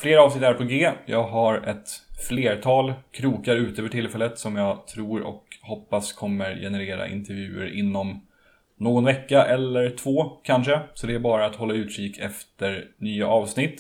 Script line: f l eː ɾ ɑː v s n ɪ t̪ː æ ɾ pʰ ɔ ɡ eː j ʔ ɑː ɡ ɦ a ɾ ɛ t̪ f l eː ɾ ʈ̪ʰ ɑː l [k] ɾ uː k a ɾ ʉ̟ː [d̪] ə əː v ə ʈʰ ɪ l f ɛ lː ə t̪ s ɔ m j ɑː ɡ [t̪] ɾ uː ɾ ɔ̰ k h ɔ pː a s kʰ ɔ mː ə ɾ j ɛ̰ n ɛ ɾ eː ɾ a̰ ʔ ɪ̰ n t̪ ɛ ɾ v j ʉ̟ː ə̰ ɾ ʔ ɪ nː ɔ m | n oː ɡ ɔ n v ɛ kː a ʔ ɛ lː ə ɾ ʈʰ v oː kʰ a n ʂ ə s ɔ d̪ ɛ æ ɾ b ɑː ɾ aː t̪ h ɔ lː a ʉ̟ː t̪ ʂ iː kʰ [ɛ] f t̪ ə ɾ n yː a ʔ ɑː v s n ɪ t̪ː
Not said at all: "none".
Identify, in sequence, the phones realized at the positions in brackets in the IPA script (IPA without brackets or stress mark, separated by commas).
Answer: kʰ, t̪, t̪ʰ, ɛ